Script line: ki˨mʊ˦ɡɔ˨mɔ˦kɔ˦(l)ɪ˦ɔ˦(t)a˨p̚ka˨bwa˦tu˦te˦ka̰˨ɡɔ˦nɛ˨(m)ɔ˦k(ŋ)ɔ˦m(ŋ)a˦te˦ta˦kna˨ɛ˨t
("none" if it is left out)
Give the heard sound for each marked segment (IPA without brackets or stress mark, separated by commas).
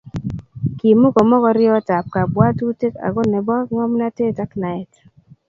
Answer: ɾ, t, b, ŋ, n